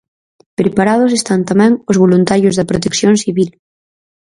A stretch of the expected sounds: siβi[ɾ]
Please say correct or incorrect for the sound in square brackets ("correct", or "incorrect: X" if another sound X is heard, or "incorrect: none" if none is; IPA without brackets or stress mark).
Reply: incorrect: l